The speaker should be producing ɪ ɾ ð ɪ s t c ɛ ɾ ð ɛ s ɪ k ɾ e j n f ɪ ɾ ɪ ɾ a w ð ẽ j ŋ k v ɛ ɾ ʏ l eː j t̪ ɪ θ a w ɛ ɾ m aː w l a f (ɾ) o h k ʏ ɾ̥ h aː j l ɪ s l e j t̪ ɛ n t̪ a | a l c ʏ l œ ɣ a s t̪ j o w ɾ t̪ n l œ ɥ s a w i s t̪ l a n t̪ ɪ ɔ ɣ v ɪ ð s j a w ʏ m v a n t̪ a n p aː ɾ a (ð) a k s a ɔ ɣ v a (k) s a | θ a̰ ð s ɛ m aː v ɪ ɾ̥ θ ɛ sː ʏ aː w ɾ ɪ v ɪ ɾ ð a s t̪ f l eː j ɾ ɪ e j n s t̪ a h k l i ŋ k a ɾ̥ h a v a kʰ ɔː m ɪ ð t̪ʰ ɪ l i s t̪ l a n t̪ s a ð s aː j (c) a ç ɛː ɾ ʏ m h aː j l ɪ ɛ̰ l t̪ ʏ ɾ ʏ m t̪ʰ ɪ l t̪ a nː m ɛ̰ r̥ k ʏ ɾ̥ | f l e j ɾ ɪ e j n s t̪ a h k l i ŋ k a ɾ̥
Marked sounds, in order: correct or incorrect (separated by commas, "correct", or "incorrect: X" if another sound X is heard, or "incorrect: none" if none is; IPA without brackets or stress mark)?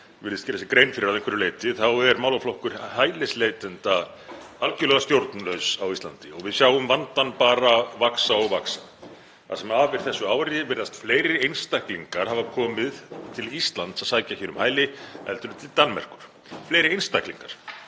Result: incorrect: l, incorrect: v, correct, correct